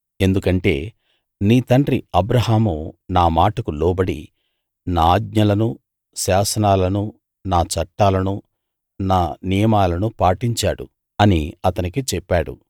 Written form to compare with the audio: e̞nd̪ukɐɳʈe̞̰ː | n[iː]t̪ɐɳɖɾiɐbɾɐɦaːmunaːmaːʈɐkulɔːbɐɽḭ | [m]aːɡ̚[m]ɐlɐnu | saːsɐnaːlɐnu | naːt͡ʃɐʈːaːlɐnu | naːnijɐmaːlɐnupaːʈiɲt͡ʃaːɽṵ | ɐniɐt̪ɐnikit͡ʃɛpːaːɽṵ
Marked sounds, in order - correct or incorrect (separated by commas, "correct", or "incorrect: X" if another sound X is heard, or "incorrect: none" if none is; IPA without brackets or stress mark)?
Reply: correct, incorrect: n, incorrect: ɲ